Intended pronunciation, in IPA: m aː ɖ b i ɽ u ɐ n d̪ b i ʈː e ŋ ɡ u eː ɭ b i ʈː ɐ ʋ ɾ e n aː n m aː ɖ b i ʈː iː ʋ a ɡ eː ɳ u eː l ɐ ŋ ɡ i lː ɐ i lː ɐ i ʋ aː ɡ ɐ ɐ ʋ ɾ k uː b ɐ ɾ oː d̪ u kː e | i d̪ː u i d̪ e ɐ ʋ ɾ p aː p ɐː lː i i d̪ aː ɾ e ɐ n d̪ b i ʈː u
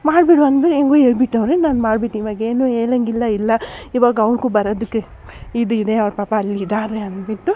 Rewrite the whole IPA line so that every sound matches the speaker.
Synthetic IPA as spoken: m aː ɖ b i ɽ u ɐ n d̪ b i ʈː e ŋ ɡ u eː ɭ b i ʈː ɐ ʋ ɾ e n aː n m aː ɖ b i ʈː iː ʋ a ɡ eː n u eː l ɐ ŋ ɡ i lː ɐ i lː ɐ i ʋ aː ɡ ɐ ɐ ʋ ɾ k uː b ɐ ɾ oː d̪ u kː e | i d̪ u i d̪ e ɐ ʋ ɾ p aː p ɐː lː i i d̪ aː ɾ e ɐ n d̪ b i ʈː u